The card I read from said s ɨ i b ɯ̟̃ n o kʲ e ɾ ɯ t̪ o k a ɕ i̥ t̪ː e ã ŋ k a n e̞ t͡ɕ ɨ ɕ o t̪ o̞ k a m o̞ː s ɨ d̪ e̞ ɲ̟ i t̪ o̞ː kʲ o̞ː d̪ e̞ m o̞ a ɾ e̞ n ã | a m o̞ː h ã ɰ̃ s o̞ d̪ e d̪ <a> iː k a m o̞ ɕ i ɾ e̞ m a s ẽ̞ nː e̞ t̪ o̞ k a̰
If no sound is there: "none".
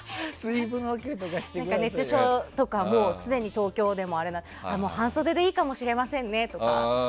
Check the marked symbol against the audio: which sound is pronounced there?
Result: e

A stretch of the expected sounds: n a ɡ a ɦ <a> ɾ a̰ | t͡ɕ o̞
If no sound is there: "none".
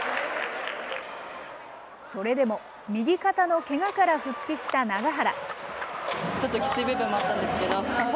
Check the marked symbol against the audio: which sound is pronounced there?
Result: a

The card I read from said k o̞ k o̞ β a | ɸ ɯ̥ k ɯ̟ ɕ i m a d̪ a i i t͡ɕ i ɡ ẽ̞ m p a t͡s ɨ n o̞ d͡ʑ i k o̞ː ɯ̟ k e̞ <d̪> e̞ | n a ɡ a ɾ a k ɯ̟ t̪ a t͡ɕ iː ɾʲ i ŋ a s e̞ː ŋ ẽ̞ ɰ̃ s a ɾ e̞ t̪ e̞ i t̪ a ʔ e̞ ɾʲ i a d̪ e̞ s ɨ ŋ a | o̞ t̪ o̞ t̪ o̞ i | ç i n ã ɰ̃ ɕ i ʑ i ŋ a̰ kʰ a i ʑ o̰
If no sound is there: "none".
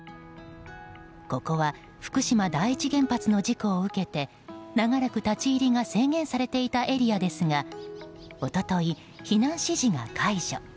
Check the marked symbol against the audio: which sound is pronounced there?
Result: t̪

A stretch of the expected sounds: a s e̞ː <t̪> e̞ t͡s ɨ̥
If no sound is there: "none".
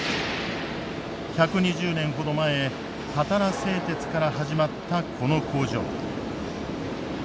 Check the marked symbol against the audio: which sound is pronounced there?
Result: t̪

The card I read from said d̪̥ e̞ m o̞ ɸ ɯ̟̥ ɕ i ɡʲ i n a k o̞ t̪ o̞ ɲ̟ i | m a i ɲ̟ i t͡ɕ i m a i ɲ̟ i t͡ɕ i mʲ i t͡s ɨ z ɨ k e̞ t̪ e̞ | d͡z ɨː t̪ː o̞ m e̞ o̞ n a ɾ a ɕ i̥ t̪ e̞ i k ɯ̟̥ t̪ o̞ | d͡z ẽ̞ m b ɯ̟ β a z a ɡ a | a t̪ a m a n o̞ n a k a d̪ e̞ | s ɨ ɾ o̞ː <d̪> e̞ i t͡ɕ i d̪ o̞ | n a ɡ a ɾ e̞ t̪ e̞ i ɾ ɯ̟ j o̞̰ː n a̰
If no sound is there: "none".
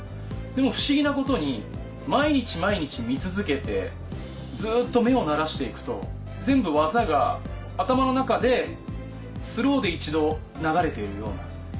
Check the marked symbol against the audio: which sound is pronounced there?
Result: d̪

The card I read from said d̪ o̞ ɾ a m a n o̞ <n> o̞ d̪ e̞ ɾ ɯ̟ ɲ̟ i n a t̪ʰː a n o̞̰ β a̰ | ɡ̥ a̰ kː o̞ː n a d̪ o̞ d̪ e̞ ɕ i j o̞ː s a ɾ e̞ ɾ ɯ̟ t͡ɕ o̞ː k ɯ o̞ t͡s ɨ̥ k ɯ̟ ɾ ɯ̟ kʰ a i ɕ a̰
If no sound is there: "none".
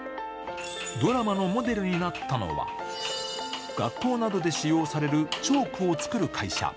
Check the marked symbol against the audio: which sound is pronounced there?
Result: m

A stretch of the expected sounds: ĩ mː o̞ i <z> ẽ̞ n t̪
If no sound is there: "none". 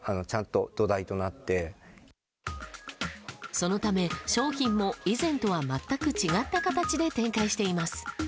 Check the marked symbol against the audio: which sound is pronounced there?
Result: z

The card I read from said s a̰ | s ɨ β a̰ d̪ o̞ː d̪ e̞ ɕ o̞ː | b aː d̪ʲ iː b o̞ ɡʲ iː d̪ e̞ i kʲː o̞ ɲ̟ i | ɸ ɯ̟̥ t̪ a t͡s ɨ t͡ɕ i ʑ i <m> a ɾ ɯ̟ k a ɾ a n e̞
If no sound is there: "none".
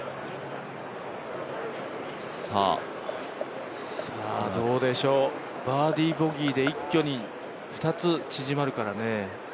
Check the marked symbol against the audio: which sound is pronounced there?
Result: m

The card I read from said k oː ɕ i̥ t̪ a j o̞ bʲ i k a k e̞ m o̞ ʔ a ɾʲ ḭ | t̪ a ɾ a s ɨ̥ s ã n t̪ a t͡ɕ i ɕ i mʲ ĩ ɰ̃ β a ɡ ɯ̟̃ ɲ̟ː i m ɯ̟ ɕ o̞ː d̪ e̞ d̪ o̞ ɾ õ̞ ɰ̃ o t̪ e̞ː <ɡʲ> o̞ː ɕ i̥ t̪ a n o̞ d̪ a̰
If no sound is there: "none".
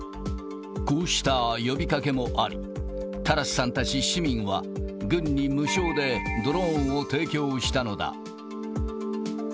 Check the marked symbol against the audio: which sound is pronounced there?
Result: kʲ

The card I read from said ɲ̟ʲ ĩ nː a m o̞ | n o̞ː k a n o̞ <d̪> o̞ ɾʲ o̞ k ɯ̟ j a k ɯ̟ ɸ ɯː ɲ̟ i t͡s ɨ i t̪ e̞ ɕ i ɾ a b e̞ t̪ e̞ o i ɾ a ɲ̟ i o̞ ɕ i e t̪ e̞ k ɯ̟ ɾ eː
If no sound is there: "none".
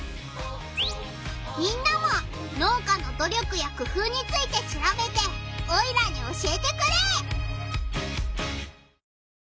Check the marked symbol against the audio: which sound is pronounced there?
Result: d̪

